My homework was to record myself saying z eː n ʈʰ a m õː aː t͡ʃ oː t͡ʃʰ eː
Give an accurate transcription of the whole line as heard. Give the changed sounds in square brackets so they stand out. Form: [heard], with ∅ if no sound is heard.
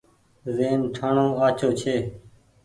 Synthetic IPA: z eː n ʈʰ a [ɳ] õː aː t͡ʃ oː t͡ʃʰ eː